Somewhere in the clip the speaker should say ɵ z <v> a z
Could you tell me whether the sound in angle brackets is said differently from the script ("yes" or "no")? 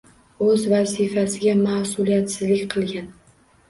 no